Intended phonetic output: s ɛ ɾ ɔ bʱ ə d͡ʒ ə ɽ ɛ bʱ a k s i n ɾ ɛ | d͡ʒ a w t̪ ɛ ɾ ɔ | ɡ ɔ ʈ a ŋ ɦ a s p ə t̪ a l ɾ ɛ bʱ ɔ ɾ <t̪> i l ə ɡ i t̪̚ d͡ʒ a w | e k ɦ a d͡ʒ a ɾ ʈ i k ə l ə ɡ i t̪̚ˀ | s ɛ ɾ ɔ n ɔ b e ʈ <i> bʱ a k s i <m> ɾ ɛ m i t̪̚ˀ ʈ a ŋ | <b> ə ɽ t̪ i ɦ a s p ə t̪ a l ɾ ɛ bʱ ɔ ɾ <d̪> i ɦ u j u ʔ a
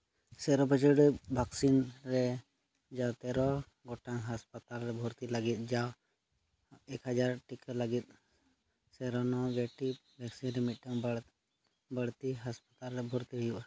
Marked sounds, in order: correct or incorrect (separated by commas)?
correct, correct, incorrect, correct, incorrect